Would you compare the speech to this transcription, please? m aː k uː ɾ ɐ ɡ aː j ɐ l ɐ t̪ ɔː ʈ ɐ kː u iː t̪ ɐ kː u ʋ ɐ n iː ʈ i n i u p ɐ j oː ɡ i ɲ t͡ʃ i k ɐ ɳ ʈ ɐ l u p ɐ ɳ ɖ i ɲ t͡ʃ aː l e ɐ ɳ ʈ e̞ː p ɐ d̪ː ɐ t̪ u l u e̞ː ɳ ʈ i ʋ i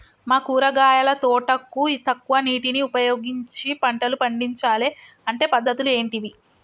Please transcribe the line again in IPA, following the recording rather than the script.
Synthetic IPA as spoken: m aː k uː ɾ ɐ ɡ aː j ɐ l ɐ t̪ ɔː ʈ ɐ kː u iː t̪ ɐ kː u ʋ ɐ n iː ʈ i n i u p ɐ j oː ɡ i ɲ t͡ʃ i p ɐ ɳ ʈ ɐ l u p ɐ ɳ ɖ i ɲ t͡ʃ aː l e ɐ ɳ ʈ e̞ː p ɐ d̪ː ɐ t̪ u l u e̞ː ɳ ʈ i ʋ i